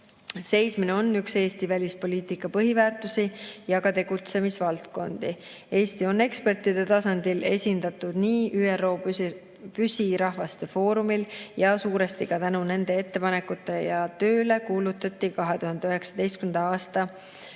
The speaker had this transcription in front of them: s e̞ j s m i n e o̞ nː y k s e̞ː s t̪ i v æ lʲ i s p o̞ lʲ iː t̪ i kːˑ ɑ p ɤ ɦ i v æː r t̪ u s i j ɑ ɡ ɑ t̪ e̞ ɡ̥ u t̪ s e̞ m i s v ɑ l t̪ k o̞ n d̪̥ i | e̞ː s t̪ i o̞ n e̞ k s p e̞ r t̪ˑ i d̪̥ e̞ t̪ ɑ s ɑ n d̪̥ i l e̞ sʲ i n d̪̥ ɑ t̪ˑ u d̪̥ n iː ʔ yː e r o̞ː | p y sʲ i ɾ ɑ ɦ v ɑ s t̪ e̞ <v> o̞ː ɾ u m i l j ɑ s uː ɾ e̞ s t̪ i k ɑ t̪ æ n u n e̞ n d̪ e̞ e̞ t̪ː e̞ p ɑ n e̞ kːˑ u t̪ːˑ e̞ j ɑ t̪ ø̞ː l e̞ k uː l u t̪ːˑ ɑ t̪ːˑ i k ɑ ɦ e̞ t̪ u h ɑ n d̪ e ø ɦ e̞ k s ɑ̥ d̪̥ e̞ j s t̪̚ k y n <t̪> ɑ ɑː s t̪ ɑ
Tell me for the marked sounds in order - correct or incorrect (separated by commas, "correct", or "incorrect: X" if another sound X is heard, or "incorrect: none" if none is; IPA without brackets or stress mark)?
incorrect: f, incorrect: d̪